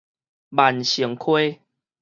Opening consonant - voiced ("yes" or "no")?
yes